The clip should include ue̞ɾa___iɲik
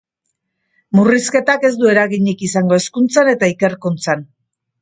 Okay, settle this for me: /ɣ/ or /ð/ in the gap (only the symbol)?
ɣ